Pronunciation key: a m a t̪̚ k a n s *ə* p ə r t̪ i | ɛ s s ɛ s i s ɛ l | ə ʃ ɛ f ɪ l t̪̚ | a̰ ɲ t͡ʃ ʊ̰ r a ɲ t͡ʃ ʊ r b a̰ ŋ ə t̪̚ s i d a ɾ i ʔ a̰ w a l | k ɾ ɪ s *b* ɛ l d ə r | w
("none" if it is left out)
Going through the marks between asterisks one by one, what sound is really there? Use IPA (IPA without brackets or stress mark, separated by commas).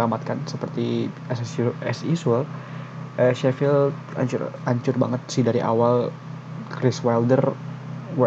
ə, w